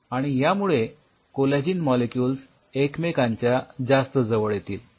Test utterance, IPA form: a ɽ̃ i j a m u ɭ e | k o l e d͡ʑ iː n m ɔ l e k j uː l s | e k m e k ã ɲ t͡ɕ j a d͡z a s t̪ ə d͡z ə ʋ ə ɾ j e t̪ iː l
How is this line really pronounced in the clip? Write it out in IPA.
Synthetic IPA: a ɽ̃ i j a m u ɭ e | k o l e d͡ʑ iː n m ɔ l e k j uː l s | e k m e k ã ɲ t͡ɕ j a d͡z a s t̪ ə d͡z ə ʋ ə ɭ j e t̪ iː l